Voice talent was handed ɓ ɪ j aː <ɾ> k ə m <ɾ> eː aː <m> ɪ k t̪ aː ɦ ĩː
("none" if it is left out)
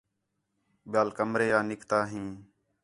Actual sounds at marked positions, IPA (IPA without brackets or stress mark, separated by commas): l, ɾ, n